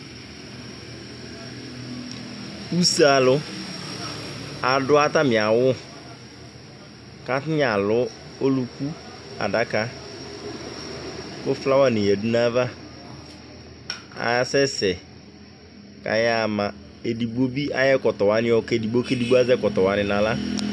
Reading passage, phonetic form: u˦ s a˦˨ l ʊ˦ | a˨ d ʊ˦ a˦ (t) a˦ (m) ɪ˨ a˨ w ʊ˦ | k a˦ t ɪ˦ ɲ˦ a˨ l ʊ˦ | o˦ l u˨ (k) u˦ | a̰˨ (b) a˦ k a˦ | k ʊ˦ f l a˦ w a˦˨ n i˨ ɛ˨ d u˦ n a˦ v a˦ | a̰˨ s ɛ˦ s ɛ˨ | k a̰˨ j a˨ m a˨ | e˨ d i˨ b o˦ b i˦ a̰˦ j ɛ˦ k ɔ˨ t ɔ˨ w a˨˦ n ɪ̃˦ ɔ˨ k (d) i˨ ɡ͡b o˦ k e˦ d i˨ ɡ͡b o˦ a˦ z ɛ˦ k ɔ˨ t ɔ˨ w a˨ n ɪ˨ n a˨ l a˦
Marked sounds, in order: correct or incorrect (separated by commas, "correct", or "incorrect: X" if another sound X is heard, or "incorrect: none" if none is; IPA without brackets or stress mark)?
correct, correct, correct, incorrect: d, correct